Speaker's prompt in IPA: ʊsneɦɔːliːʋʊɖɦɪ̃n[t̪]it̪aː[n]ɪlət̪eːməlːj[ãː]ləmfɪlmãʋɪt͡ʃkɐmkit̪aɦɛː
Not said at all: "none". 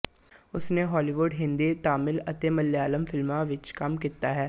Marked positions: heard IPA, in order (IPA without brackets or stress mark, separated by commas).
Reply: d̪, m, aː